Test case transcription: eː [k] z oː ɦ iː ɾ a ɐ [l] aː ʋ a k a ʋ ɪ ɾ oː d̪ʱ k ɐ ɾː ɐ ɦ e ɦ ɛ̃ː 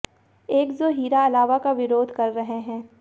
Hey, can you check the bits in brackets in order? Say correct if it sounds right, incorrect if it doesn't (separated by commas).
correct, correct